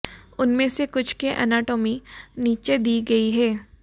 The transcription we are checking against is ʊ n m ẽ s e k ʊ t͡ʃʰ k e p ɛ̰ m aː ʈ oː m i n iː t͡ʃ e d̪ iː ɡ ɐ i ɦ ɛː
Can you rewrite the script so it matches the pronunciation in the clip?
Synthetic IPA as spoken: ʊ n m ẽ s e k ʊ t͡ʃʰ k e ʔ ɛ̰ n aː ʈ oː m i n iː t͡ʃ e d̪ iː ɡ ɐ i ɦ ɛː